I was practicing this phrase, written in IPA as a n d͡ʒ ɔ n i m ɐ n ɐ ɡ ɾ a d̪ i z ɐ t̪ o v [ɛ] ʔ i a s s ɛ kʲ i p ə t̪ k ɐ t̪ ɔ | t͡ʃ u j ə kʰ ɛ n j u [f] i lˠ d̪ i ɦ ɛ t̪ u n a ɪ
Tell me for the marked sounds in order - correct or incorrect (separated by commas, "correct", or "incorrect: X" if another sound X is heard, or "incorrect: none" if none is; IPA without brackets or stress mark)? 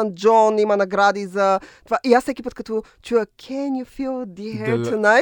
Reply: incorrect: a, correct